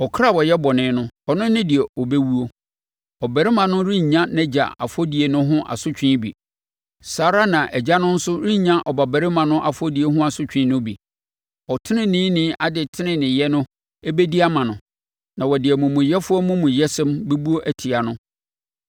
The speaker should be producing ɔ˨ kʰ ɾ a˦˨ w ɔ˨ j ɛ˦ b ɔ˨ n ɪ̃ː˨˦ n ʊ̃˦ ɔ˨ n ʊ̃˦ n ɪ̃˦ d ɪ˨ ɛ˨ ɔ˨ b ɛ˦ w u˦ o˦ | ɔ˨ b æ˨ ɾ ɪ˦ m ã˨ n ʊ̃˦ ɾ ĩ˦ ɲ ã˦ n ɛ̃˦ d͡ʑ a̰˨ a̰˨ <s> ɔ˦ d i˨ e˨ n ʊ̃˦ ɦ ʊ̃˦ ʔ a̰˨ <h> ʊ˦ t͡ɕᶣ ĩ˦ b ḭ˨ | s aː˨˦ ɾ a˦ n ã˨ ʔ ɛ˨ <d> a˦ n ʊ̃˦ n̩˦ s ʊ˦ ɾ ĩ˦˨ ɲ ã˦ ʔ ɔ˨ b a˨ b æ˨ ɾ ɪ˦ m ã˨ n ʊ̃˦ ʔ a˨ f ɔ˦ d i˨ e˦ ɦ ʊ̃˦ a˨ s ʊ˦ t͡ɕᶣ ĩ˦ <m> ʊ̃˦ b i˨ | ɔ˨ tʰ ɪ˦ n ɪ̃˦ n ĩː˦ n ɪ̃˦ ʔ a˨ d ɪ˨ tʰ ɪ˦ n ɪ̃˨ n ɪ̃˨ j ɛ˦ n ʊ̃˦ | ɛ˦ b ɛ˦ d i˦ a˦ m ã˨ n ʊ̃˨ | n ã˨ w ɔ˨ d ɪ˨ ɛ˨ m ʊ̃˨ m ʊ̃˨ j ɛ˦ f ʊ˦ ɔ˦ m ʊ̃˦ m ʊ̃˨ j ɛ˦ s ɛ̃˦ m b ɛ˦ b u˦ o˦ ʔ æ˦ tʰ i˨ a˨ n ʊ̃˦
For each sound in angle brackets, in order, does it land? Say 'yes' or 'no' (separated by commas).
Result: no, no, no, no